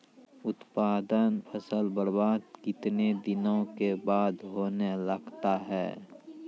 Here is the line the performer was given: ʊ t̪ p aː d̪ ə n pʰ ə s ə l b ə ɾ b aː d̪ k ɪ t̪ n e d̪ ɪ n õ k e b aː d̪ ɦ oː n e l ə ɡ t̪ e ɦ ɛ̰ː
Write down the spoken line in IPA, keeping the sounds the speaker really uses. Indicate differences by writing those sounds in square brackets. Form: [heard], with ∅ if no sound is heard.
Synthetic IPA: ʊ t̪ p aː d̪ ə n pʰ ə s ə l b ə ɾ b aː d̪ k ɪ t̪ n e d̪ ɪ n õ k e b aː d̪ ɦ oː n e l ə ɡ t̪ [a] ɦ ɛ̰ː